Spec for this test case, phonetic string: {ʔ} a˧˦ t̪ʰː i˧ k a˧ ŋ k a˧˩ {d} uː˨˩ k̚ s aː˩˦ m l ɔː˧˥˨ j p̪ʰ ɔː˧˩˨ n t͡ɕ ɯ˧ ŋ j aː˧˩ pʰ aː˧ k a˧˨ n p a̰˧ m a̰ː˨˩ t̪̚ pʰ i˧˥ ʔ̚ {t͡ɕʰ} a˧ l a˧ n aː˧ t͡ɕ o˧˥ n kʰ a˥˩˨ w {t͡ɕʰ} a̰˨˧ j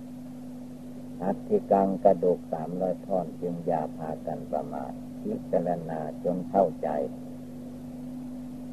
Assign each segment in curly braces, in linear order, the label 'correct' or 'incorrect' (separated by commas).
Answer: correct, correct, incorrect, incorrect